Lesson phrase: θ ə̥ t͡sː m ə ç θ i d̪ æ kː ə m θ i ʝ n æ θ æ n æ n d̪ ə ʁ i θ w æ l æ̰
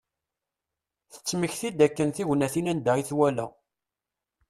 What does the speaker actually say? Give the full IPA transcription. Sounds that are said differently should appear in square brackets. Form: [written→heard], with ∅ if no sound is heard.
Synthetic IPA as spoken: θ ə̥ t͡sː m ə ç θ i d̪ æ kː ə [m→n] θ i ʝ n æ θ [æ→i] n æ n d̪ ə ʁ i θ w æ l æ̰